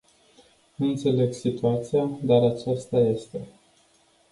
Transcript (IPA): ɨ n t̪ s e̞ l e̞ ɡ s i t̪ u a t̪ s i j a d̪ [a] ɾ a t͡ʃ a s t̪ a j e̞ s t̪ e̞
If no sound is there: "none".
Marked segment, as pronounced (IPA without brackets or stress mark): a